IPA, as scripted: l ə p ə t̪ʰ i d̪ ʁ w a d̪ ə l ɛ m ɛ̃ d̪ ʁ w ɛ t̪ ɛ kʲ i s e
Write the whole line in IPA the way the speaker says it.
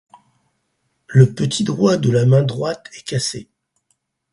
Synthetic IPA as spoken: l ə p ə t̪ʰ i d̪ ʁ w a d̪ ə l a m ɛ̃ d̪ ʁ w a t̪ ɛ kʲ a s e